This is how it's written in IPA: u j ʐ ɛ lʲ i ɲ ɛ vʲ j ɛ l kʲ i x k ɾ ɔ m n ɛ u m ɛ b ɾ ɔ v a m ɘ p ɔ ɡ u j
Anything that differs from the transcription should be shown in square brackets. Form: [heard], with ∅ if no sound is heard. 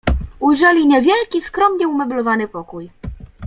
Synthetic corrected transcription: u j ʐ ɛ lʲ i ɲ ɛ vʲ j ɛ l kʲ i [s] k ɾ ɔ m [ɲ] ɛ u m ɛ b [l] ɔ v a [n] ɘ p ɔ [k] u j